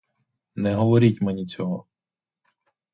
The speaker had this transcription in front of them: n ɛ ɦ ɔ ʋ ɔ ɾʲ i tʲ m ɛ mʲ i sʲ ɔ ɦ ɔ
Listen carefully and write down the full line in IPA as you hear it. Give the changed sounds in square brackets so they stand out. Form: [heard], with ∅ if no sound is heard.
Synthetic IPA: n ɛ ɦ ɔ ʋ ɔ ɾʲ i tʲ m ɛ [nʲ] i [t͡sʲ] ɔ ɦ ɔ